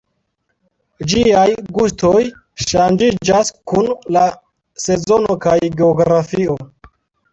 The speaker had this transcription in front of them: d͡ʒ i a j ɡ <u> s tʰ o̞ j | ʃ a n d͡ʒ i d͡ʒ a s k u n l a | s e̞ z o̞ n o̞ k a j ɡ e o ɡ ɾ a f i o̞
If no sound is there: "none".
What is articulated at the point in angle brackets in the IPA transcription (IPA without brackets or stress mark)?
u